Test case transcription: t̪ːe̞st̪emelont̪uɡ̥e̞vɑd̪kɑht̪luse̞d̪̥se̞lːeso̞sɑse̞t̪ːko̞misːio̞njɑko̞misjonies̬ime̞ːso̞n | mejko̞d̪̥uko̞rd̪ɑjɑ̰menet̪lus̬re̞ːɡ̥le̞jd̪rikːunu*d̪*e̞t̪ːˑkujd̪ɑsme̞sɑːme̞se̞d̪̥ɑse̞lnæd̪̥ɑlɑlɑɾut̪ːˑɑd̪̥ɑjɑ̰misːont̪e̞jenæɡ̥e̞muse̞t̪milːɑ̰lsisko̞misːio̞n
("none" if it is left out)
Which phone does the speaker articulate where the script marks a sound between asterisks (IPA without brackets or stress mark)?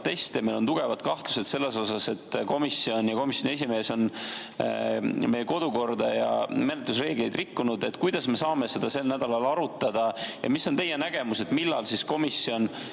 d̪